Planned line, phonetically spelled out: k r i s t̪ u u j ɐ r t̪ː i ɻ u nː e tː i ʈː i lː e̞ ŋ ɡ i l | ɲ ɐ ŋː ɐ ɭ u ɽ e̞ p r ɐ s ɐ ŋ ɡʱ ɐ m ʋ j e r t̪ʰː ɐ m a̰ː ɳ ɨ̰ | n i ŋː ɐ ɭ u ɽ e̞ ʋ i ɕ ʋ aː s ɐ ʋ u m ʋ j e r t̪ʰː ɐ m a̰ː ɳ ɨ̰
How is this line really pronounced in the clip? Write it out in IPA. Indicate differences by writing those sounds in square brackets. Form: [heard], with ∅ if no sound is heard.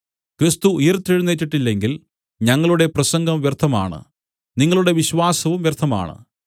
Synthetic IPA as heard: k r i s t̪ u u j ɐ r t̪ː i ɻ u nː e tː i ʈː i lː e̞ ŋ ɡ i l | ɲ ɐ ŋː ɐ ɭ u ɽ e̞ p r ɐ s ɐ ŋ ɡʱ ɐ m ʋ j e r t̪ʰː ɐ m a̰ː ɳ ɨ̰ | n i ŋː ɐ ɭ u ɽ e̞ ʋ i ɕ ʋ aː s ɐ ʋ u m ʋ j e r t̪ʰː ɐ m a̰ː ɳ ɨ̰